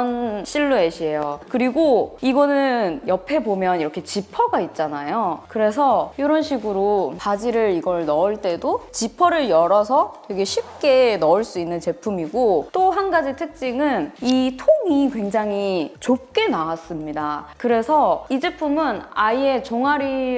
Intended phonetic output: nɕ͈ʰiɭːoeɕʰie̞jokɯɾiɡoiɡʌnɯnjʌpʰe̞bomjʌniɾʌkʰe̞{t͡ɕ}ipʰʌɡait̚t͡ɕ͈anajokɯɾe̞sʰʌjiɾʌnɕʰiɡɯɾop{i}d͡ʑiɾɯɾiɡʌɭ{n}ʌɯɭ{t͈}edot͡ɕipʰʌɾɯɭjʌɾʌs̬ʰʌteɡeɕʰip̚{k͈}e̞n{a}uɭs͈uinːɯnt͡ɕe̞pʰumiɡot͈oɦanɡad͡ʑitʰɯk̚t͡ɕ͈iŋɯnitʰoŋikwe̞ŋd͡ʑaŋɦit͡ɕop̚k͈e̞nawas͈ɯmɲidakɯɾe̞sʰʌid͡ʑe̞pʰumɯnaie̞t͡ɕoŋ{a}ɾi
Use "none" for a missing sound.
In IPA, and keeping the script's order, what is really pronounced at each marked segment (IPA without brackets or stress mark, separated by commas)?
t͡ɕ, a, n, t͈, k͈, ʌ, a